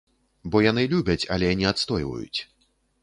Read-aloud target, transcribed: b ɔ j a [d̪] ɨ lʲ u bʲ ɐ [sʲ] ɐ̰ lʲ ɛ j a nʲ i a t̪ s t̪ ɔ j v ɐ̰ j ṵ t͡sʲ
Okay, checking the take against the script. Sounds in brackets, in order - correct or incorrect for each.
incorrect: n̪, incorrect: t͡sʲ

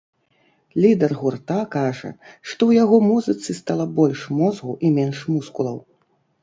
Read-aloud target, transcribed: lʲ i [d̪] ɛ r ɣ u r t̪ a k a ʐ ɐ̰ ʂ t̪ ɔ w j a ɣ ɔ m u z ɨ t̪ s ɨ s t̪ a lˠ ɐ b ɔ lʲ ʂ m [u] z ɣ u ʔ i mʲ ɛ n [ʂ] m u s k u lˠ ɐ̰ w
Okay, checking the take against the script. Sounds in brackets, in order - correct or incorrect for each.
correct, incorrect: ɔ, correct

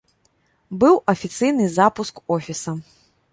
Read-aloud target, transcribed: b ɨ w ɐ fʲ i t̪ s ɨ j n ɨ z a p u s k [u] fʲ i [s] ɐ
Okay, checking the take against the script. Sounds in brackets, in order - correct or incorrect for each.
incorrect: ɔ, correct

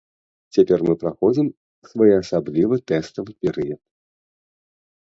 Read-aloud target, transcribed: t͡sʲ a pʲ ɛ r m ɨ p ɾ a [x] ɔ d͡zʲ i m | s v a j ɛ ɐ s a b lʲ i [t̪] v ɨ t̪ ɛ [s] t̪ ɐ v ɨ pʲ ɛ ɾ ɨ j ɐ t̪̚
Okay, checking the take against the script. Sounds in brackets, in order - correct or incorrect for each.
correct, incorrect: none, correct

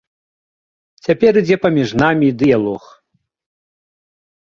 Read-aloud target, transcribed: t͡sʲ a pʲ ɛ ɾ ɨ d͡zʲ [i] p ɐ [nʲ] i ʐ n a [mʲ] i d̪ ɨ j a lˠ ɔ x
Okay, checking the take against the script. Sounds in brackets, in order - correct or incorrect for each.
incorrect: ɛ, incorrect: mʲ, correct

